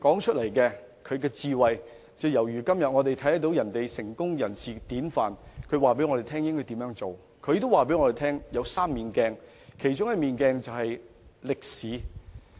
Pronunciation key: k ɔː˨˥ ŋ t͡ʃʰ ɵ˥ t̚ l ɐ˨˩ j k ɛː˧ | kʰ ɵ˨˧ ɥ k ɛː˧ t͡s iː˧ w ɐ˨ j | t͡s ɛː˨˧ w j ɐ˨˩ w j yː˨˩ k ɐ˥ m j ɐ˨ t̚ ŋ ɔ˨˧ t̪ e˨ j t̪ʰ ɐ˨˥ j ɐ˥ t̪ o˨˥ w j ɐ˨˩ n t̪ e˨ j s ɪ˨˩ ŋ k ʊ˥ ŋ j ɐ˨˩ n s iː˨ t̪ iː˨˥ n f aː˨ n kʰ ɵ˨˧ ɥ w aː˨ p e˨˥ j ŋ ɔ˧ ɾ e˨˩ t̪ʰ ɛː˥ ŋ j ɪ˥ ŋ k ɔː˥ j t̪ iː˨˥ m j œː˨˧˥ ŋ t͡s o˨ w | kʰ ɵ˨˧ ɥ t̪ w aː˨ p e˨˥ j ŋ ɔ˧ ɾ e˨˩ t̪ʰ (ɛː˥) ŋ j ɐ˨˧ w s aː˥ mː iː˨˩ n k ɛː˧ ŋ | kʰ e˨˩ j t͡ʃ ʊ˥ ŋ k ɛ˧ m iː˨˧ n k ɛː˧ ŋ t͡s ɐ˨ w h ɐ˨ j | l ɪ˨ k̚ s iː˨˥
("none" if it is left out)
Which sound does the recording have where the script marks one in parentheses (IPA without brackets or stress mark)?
ɛː˥